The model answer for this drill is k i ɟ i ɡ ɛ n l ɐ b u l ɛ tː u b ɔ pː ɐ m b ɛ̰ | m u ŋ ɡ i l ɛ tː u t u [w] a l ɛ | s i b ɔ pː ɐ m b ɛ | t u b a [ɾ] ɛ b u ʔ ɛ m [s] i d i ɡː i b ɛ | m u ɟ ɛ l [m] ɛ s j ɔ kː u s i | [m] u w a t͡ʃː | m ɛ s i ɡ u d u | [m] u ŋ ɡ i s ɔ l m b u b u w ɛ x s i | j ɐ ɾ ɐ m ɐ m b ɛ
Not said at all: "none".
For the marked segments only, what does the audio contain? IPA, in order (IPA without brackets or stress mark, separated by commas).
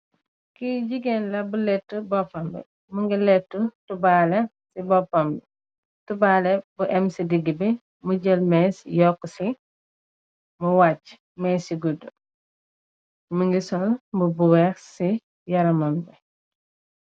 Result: b, l, s, m, m, m